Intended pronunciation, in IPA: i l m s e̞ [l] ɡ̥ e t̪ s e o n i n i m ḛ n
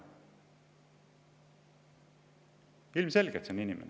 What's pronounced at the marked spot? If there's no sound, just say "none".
l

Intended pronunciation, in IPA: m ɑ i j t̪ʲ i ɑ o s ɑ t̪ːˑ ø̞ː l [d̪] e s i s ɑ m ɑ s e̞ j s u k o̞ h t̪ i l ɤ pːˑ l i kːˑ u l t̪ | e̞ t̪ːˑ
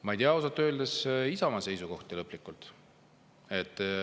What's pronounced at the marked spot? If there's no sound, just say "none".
d̪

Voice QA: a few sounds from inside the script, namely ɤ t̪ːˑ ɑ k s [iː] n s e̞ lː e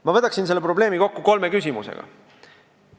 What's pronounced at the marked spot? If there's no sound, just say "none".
i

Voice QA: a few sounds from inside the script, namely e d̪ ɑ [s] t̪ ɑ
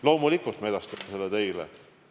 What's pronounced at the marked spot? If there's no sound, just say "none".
s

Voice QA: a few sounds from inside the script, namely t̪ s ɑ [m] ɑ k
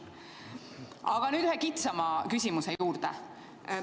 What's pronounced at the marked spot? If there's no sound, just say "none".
m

